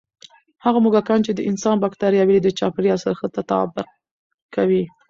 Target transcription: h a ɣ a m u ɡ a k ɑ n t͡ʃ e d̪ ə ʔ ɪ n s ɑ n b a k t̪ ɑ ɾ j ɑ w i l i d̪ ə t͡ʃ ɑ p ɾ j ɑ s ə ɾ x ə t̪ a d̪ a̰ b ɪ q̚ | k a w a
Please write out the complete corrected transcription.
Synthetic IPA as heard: h a ɣ a m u ɡ a k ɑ n t͡ʃ e d̪ ə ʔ ɪ n s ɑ n b a k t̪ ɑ ɾ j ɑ w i l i d̪ ə t͡ʃ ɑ p ɾ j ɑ s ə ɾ x ə t̪ a t̪ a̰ b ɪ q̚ | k a w i